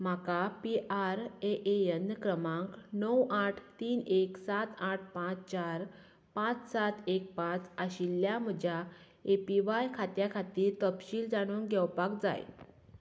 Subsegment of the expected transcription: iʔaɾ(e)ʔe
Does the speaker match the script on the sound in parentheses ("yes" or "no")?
yes